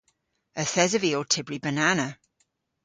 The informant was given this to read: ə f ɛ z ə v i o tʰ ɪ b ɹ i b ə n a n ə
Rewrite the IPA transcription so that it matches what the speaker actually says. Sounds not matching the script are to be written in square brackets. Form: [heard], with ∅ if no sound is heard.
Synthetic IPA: ə [θ] ɛ z ə v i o tʰ ɪ b ɹ i b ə n a n ə